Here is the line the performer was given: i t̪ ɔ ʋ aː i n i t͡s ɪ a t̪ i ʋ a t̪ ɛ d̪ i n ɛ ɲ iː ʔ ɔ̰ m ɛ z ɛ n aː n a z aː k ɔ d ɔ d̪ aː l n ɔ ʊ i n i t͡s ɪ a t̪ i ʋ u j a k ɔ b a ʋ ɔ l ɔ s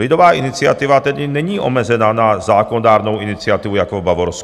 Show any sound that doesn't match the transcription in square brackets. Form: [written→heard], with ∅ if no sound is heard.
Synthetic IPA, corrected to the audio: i [t̪→d̪] ɔ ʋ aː i n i t͡s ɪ a t̪ i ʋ a t̪ ɛ d̪ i n ɛ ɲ iː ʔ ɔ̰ m ɛ z ɛ n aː n a z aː k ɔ [d→n] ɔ d̪ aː [l→ɾ] n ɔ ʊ i n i t͡s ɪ a t̪ i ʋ u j a k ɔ b a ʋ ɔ [l→ɾ] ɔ s